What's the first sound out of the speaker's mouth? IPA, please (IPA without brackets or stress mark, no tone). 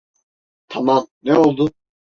t̪ʰ